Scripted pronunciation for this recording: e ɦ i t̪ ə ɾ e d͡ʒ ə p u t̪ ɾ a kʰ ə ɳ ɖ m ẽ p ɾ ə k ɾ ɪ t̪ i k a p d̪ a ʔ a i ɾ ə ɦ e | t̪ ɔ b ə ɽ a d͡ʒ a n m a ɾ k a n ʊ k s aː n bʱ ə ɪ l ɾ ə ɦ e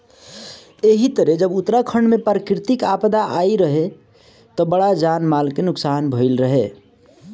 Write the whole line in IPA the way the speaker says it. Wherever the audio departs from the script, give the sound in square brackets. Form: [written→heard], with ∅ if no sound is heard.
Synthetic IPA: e ɦ i t̪ ə ɾ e d͡ʒ ə [p→b] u t̪ ɾ a kʰ ə ɳ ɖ m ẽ p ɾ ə k ɾ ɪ t̪ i k a p d̪ a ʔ a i ɾ ə ɦ e | t̪ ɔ b ə ɽ a d͡ʒ a n m a [ɾ→l] k [a→e] n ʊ k s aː n bʱ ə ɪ l ɾ ə ɦ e